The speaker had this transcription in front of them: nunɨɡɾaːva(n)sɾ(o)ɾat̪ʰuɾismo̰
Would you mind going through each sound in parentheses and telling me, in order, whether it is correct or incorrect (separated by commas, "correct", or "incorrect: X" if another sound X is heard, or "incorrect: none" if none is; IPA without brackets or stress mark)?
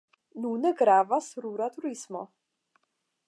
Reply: incorrect: none, incorrect: u